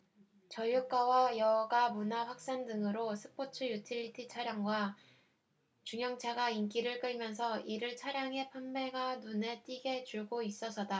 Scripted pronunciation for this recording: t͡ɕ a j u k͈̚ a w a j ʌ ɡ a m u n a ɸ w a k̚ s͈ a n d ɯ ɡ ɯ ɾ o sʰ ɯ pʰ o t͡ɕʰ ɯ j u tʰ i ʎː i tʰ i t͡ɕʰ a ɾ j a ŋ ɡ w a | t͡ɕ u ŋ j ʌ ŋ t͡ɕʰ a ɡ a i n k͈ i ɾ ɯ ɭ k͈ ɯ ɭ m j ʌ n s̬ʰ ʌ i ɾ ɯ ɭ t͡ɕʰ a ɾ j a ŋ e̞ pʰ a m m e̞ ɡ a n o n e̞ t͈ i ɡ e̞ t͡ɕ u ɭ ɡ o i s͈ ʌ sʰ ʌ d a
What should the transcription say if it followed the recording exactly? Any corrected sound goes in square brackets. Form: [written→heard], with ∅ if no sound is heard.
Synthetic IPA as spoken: t͡ɕ [a→ʌ] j u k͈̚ a w a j ʌ ɡ a m u n a ɸ w a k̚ s͈ a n d ɯ [ɡ→ŋ] ɯ ɾ o sʰ ɯ pʰ o t͡ɕʰ ɯ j u tʰ i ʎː i tʰ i t͡ɕʰ a ɾ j a ŋ ɡ w a | t͡ɕ u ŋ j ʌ ŋ t͡ɕʰ a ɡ a i n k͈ i ɾ ɯ ɭ k͈ ɯ ɭ m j ʌ n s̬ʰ ʌ i ɾ ɯ ɭ t͡ɕʰ a ɾ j a ŋ e̞ pʰ a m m e̞ ɡ a n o n e̞ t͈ i ɡ e̞ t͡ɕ u ɭ ɡ o i s͈ ʌ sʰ ʌ d a